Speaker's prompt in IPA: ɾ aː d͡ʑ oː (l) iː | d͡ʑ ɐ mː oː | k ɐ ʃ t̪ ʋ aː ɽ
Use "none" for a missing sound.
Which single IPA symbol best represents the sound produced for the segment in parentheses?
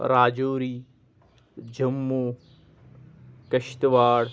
ɾ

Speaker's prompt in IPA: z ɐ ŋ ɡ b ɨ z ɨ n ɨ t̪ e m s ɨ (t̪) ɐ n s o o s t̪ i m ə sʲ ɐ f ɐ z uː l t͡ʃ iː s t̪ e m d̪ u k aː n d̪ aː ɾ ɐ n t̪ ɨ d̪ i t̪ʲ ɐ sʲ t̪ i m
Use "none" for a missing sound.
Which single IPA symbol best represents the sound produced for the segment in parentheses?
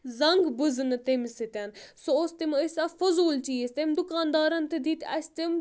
t̪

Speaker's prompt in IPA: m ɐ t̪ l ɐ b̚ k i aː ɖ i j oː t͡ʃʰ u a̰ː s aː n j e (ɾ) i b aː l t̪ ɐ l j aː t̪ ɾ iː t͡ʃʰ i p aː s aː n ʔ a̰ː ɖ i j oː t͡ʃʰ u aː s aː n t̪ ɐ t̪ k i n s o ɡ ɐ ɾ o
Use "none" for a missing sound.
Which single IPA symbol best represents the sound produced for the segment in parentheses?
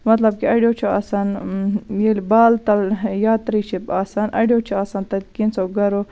l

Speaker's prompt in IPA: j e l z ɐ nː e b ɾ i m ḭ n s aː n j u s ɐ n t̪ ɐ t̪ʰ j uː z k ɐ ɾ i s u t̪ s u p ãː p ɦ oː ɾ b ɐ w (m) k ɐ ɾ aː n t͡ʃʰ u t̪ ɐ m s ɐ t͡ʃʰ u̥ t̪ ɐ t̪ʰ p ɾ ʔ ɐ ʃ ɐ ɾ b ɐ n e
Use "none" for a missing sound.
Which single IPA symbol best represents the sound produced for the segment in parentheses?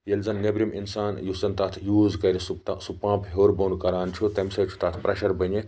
n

